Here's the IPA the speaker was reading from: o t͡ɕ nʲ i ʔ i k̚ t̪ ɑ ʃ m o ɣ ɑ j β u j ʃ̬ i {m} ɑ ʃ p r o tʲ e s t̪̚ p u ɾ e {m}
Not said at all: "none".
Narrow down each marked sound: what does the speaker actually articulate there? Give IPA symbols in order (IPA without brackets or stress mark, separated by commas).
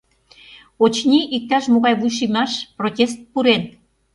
m, n